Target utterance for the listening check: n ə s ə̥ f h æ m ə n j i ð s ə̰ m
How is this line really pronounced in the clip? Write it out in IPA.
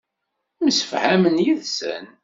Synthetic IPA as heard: m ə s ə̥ f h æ m ə n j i ð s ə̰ n